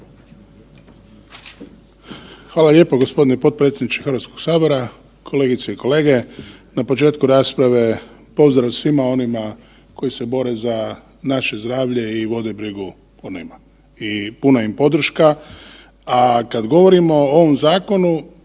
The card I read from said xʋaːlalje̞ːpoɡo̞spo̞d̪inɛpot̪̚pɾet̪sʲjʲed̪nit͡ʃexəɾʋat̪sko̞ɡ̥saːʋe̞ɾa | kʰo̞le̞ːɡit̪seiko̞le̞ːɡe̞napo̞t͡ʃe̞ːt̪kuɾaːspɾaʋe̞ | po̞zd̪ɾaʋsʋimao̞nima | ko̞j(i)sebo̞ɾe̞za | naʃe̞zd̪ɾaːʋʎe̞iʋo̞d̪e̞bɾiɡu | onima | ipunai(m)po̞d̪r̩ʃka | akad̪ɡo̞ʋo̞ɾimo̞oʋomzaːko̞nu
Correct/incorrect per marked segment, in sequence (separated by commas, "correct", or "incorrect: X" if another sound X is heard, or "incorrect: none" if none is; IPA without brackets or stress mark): correct, correct